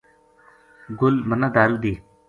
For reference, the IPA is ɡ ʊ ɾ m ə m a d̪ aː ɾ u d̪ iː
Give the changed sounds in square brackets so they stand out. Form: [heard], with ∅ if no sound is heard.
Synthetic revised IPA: ɡ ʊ [l] m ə [n] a d̪ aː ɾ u d̪ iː